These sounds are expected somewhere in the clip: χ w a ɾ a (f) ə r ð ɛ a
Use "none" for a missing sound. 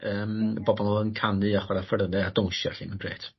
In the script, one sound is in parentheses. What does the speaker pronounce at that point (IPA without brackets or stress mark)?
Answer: f